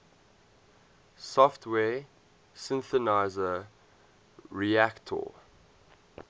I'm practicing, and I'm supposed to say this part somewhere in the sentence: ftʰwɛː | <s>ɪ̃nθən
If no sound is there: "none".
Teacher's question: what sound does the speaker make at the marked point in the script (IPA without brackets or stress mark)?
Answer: s